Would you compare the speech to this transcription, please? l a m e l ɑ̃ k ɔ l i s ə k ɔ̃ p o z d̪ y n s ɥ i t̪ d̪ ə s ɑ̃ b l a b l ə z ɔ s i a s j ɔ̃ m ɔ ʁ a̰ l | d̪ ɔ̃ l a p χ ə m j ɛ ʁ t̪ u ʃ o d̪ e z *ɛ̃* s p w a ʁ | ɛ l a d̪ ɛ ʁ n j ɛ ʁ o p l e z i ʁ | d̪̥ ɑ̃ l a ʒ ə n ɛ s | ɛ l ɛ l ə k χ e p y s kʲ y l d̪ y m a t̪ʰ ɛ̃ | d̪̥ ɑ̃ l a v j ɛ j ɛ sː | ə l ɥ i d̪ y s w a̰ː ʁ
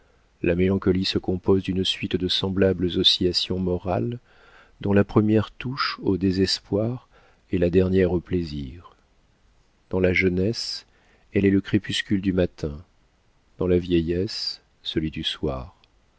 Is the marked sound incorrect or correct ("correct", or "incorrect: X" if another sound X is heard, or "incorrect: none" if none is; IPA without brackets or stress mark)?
incorrect: ɛ